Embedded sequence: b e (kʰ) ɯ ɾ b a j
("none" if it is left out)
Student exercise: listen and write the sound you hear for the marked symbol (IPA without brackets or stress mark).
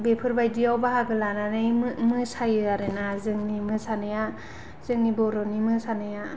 pʰ